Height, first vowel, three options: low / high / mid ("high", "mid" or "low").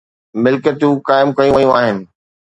high